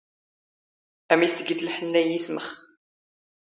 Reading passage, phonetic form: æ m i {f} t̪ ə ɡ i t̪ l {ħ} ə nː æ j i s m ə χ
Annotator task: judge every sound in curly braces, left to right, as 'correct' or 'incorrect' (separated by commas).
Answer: incorrect, correct